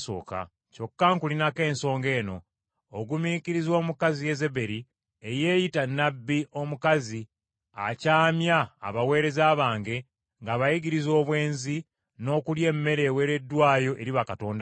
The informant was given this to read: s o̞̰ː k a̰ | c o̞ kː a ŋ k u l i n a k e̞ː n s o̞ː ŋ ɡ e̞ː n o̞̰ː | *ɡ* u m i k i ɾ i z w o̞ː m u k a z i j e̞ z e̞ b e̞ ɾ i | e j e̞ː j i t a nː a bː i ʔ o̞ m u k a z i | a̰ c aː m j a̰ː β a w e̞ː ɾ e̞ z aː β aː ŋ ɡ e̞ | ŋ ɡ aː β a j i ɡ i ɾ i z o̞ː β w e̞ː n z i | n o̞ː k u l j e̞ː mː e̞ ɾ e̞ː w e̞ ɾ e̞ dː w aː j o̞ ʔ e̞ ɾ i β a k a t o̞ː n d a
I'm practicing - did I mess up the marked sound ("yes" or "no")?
no